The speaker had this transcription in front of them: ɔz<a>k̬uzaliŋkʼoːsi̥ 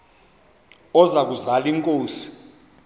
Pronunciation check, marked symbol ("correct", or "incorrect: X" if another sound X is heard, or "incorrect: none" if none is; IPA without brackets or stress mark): correct